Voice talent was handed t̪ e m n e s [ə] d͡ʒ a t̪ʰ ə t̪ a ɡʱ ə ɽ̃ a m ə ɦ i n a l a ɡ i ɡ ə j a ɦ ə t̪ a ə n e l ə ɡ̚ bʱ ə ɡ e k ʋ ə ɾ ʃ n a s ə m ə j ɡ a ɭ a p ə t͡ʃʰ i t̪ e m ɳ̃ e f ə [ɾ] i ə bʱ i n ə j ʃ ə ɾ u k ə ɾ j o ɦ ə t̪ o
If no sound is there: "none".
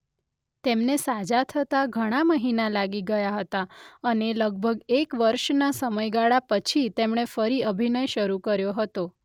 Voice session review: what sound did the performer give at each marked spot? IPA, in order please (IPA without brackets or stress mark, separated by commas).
a, ɾ